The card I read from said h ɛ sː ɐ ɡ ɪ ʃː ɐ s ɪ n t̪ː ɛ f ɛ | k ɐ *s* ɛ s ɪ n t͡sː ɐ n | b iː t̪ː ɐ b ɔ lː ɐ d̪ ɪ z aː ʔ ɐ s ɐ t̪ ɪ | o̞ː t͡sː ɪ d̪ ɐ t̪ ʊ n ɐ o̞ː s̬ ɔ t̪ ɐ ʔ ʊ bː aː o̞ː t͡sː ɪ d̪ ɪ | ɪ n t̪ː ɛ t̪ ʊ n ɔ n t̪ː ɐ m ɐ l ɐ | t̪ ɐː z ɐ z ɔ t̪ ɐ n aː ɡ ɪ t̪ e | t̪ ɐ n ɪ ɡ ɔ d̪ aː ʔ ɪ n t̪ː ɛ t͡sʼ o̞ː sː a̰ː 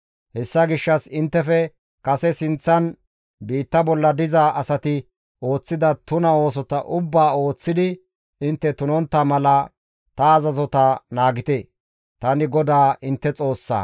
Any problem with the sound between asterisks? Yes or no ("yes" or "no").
no